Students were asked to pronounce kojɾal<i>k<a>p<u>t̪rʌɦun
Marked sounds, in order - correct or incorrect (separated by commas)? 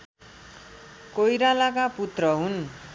incorrect, correct, correct